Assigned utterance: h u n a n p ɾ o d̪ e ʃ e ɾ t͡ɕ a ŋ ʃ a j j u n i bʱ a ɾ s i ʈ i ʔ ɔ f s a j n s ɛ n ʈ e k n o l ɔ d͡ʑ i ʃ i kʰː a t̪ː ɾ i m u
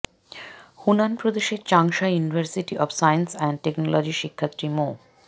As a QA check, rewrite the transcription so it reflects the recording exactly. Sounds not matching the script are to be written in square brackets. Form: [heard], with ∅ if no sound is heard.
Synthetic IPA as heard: h u n a n p ɾ o d̪ e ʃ e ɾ t͡ɕ a ŋ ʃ a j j u n i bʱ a ɾ s i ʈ i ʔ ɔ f s a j n s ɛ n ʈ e k n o l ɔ d͡ʑ i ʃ i kʰː a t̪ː ɾ i m [o]